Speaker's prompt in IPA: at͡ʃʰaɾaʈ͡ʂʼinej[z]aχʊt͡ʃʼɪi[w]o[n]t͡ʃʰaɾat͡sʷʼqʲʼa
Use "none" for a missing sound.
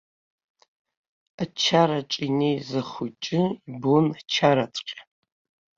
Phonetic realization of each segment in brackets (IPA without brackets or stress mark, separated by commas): z, b, n